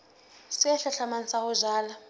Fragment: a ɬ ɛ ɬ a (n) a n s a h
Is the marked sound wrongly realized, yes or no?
yes